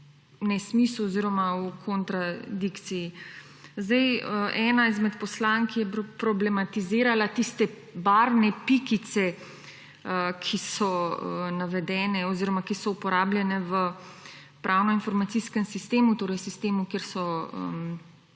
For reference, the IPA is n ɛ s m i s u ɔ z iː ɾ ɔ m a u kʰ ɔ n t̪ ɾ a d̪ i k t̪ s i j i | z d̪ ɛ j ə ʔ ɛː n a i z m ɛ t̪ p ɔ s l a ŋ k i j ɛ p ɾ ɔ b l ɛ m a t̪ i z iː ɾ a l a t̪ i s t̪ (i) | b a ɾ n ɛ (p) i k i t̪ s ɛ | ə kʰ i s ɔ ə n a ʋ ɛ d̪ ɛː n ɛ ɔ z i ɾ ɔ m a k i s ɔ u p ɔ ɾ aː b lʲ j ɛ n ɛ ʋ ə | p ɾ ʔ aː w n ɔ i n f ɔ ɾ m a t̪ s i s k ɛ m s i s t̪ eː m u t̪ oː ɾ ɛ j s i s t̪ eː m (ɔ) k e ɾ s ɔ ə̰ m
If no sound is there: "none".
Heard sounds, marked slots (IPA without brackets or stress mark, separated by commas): ɛ, p, u